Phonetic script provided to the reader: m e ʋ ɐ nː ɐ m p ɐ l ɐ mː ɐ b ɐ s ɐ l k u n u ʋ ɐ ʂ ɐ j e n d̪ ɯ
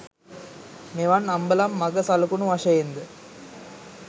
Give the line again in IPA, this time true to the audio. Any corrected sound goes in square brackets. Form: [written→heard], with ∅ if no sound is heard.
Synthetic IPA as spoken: m e ʋ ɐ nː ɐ m [p→b] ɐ l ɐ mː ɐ [b→ɡ] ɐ s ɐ l k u n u ʋ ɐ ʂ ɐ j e n d̪ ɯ